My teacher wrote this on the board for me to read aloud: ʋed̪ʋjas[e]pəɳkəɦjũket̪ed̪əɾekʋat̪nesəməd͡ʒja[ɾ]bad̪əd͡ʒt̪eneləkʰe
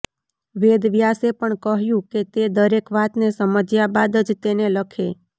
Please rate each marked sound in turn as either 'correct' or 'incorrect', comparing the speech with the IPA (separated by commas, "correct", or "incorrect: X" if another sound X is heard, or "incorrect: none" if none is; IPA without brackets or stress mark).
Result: correct, incorrect: none